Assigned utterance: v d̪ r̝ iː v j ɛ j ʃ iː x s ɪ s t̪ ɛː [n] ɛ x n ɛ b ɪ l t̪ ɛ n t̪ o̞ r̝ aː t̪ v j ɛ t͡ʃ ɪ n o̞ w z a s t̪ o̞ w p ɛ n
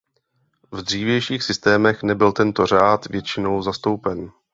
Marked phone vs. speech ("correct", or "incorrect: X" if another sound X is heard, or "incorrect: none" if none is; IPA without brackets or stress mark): incorrect: m